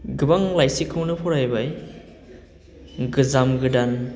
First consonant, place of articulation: velar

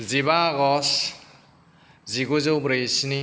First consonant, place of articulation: alveolar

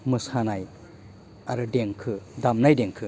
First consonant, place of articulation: labial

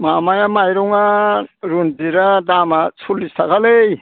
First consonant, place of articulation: labial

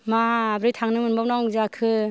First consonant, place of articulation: labial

